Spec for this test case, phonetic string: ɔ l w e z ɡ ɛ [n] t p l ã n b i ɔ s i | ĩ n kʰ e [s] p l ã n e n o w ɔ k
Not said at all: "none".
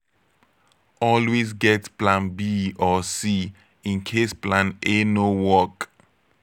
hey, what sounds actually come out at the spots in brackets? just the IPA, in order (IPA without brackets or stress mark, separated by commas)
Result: none, s